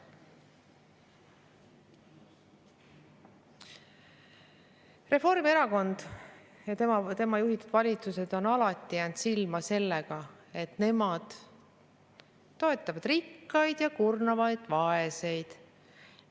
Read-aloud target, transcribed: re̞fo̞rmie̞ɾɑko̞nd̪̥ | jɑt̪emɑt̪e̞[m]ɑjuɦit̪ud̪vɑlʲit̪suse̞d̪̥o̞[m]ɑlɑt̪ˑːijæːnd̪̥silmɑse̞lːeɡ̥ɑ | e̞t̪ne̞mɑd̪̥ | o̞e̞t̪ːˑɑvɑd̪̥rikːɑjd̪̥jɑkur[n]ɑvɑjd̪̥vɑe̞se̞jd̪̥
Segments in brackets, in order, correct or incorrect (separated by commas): correct, incorrect, correct